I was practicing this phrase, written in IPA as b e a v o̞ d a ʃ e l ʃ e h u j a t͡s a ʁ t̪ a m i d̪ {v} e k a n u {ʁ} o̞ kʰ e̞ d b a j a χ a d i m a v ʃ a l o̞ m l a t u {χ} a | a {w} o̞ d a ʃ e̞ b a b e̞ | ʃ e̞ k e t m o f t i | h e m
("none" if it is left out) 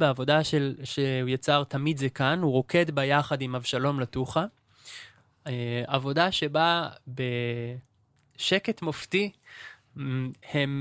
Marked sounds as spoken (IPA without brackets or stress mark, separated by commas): z, ʁ, χ, v